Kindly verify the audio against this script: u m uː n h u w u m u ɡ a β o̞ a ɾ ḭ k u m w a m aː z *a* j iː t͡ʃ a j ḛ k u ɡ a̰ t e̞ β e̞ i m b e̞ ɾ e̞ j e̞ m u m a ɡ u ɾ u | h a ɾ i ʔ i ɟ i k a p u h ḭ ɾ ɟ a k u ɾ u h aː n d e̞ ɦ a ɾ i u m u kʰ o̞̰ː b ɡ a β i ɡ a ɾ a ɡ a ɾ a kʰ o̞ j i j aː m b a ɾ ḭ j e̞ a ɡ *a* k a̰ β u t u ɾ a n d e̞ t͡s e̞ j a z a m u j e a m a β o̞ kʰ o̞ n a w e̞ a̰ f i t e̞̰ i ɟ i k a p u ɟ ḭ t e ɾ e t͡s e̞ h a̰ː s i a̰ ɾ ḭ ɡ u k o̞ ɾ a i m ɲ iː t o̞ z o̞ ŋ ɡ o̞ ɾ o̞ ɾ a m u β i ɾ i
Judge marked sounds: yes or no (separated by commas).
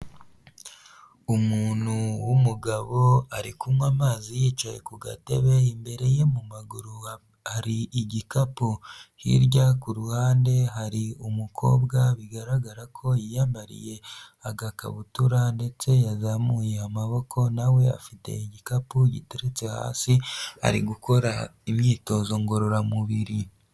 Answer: no, yes